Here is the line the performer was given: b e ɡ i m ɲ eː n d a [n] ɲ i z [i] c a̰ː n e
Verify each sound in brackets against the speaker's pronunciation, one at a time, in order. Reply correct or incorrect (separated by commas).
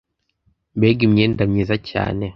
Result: incorrect, incorrect